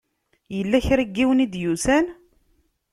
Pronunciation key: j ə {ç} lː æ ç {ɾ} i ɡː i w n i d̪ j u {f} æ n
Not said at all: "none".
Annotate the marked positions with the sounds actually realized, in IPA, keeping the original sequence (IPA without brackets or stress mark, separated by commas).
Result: none, ɾ, s